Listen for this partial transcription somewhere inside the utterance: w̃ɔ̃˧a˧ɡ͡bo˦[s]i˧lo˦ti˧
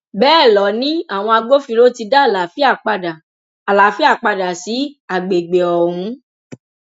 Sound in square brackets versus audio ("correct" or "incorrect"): incorrect